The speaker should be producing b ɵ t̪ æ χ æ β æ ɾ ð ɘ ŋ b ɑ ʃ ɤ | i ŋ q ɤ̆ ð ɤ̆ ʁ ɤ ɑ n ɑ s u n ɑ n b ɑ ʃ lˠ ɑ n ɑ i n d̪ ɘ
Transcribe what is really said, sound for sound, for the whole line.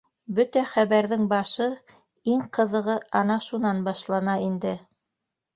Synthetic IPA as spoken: b ɵ t̪ æ χ æ β æ ɾ ð ɘ ŋ b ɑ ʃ ɤ | i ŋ q ɤ̆ ð ɤ̆ ʁ ɤ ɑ n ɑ ʃ u n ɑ n b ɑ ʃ lˠ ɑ n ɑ i n d̪ ɘ